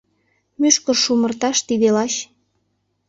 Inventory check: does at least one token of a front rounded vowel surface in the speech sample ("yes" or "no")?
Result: yes